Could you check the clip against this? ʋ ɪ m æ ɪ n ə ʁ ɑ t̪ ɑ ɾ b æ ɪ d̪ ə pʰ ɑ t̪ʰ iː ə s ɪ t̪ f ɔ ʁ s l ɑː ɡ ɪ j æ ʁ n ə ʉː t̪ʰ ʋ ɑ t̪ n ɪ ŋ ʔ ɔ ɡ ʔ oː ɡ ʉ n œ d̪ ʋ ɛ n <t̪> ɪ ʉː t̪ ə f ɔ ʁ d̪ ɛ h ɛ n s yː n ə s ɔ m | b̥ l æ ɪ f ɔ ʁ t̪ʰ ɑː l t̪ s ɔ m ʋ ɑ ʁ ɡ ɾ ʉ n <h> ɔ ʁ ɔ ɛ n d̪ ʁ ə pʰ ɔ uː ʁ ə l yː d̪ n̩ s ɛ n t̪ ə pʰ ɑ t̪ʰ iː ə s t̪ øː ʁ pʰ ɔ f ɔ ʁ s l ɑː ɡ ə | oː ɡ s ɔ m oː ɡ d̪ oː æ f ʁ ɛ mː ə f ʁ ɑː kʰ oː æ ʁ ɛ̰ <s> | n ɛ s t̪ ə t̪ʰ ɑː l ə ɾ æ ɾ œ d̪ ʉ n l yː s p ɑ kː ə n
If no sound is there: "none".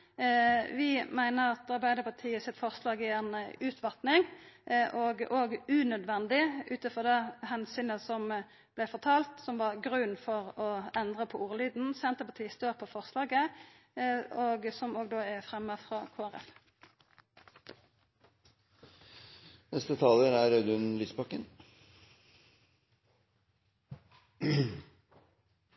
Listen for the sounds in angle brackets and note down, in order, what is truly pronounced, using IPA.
d̪, f, f

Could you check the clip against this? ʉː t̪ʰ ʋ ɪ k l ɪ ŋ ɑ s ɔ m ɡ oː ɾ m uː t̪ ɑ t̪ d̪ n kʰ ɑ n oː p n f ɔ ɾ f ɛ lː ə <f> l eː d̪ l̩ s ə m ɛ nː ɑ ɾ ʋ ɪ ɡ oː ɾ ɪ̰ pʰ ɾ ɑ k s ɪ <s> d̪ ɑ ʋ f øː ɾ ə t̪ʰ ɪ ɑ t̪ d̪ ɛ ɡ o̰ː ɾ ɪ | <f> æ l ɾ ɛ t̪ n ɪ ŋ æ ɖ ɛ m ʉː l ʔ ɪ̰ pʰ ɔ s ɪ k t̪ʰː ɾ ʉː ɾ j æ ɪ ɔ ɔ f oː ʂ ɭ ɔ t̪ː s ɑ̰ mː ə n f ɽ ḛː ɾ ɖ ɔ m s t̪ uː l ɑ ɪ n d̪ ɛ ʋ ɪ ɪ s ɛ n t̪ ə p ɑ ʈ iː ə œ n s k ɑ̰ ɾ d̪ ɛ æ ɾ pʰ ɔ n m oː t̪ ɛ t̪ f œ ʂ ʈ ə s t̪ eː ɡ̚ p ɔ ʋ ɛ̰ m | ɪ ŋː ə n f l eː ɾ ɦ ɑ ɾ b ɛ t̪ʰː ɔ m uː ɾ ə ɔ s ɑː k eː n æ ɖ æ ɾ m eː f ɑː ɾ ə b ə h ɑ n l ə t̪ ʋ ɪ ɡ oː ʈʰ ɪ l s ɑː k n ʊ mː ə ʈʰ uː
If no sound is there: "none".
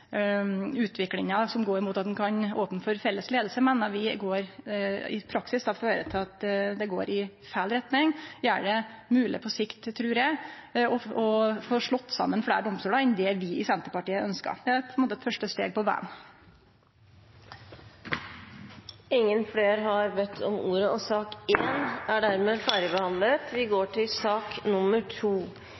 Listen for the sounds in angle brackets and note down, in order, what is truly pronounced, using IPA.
s, s, f

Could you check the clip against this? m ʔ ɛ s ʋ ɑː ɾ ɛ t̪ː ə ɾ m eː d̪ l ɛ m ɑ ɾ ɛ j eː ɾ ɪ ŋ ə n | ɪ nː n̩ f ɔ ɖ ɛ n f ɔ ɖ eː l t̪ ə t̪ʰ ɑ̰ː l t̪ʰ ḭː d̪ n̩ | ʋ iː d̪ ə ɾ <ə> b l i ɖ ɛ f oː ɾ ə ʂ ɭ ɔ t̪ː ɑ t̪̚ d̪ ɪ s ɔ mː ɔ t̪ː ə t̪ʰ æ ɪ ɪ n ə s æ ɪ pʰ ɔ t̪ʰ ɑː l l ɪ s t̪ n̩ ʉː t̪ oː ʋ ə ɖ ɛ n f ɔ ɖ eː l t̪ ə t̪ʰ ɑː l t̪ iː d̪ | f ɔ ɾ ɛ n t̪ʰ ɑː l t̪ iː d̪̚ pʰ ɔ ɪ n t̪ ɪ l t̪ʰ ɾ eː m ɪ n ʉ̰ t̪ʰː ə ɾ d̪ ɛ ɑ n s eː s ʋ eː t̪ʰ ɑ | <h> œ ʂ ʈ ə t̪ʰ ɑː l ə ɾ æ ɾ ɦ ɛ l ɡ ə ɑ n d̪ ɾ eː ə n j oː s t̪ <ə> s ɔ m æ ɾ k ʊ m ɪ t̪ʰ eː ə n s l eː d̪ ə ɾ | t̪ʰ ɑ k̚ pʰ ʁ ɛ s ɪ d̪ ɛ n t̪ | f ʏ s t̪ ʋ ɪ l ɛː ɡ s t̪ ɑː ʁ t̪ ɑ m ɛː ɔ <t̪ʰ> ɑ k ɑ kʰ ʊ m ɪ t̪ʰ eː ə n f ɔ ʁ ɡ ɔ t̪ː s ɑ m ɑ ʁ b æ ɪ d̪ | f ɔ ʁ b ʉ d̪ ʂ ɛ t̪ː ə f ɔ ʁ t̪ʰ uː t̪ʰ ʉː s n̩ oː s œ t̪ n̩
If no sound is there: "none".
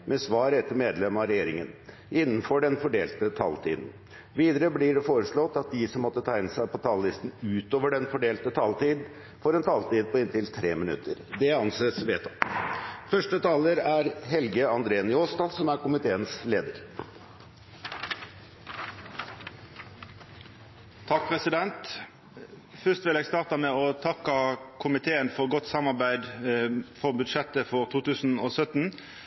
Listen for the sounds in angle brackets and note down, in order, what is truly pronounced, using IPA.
ə, f, ɑ, t̪ʰ

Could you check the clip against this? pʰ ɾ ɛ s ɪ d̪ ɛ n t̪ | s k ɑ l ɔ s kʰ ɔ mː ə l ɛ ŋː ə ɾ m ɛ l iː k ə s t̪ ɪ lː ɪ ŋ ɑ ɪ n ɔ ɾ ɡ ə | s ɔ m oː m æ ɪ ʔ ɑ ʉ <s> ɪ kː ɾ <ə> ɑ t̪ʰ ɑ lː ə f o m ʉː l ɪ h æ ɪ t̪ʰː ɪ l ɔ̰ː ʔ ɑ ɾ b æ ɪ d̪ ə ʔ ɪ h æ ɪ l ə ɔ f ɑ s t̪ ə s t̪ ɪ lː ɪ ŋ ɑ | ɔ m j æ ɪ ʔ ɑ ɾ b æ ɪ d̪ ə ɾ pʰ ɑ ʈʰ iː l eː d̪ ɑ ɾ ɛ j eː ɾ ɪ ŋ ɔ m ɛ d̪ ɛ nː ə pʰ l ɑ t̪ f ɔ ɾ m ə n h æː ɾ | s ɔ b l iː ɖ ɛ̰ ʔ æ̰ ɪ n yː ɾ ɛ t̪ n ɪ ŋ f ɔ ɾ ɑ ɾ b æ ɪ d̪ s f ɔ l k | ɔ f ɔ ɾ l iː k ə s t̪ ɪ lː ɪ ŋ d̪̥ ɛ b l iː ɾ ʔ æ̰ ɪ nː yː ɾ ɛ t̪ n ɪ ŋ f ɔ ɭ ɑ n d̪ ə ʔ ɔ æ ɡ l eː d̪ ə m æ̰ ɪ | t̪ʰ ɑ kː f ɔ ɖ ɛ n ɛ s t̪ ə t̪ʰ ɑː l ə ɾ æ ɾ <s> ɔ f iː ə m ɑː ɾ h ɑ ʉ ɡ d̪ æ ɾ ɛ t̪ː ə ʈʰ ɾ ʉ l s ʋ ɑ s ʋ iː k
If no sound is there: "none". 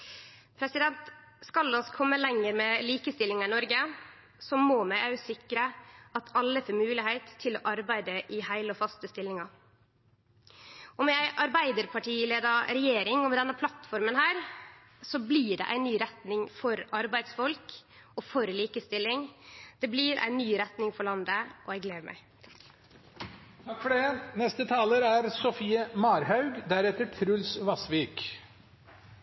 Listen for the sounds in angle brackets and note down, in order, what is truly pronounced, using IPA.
s, ə, s

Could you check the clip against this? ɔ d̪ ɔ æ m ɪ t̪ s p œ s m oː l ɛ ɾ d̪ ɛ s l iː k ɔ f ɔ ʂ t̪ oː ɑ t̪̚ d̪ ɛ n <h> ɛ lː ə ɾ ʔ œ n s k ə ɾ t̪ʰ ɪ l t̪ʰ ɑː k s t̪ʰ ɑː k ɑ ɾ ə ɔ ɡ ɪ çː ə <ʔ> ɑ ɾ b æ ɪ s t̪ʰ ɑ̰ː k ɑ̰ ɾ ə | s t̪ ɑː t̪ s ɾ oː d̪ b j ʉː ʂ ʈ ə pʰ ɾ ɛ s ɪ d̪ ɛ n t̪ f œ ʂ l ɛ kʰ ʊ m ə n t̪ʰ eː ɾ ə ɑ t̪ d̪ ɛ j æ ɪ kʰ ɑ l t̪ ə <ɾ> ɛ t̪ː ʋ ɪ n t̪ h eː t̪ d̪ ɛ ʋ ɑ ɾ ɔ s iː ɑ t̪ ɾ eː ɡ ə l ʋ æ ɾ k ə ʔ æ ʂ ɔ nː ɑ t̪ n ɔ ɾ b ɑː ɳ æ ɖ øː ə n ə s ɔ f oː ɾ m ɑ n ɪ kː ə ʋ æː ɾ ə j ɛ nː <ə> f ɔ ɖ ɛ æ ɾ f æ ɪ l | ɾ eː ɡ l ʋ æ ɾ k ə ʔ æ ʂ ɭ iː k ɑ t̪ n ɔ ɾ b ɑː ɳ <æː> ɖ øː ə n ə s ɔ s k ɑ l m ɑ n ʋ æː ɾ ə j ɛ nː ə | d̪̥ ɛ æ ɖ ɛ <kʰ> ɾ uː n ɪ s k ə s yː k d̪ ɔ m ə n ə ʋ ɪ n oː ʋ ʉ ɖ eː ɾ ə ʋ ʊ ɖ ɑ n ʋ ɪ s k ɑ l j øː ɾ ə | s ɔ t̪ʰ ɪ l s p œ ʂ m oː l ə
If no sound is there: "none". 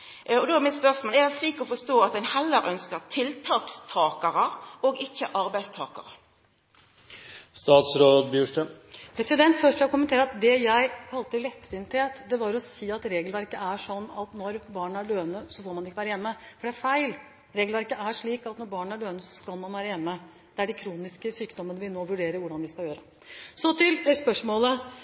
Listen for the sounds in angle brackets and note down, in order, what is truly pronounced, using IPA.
h, ʔ, l, ə, æ, kʰ

